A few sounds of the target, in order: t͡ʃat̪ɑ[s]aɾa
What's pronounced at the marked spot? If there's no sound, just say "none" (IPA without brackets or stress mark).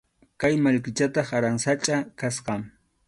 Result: χ